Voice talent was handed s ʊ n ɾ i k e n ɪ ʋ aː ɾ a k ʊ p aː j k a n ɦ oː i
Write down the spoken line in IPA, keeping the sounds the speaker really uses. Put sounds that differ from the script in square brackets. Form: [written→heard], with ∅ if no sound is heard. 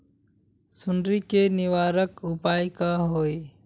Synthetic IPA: s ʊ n ɾ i k e n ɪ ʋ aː ɾ [a→ə] k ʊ p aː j k a [n→∅] ɦ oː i